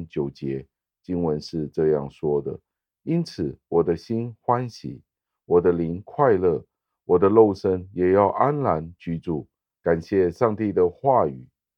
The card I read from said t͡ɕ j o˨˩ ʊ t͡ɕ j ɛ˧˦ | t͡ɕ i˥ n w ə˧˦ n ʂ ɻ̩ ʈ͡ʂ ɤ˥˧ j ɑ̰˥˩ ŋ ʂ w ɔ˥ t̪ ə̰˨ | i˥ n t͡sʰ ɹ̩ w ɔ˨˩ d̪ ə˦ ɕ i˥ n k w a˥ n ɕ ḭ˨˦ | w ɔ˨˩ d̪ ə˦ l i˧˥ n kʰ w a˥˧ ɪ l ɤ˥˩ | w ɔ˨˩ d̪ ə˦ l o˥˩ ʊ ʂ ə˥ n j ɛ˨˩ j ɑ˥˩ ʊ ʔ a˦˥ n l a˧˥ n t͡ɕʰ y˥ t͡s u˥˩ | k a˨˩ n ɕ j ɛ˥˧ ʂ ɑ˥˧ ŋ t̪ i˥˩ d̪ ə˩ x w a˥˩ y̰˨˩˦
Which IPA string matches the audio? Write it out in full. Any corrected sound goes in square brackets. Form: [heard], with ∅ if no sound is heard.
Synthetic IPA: t͡ɕ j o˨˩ ʊ t͡ɕ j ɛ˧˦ | t͡ɕ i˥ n w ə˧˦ n ʂ ɻ̩ ʈ͡ʂ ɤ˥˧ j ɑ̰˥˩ ŋ ʂ w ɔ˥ [d̪] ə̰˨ | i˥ n t͡sʰ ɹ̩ w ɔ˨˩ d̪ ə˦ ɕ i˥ n [x] w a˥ n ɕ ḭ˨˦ | w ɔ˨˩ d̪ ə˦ l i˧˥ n kʰ w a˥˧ ɪ l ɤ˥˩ | w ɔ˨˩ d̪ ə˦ l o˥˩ ʊ ʂ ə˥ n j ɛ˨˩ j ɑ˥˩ ʊ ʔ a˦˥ n l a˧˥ n [t͡ɕ] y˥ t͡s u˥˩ | k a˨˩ n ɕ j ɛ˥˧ ʂ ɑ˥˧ ŋ t̪ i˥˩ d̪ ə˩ x w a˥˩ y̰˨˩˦